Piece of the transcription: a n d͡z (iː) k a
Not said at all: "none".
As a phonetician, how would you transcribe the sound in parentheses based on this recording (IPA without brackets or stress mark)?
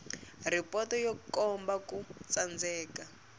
ɛː